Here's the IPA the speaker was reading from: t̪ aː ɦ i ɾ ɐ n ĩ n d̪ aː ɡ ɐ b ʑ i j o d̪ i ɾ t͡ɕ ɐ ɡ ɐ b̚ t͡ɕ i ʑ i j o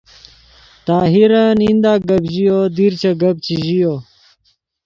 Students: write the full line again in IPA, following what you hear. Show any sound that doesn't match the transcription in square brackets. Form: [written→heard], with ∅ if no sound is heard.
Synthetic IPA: t̪ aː ɦ i ɾ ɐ n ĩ n d̪ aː ɡ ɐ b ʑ i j o d̪ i ɾ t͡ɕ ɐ ɡ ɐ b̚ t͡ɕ i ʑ i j o